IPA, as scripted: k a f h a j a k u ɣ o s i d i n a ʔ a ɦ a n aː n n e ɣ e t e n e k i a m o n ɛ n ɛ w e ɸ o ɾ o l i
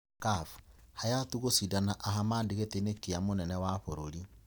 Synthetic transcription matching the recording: k a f h a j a t u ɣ o s i d a n a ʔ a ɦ a m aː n d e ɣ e t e n e k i a m o n ɛ n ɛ w a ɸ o ɾ o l i